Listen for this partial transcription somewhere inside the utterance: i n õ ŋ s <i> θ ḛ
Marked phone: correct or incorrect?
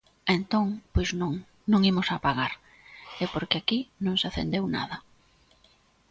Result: incorrect